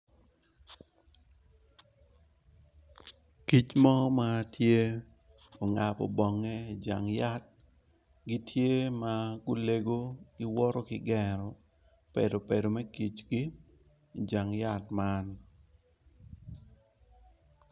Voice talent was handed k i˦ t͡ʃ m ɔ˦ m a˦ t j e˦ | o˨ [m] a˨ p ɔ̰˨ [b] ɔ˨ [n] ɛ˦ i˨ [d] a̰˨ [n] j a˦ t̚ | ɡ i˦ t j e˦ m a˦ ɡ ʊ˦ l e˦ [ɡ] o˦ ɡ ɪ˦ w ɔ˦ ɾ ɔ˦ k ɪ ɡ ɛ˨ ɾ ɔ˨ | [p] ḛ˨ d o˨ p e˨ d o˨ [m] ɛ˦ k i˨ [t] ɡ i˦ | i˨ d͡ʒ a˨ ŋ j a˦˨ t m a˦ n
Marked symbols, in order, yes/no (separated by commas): no, yes, no, no, no, yes, yes, yes, no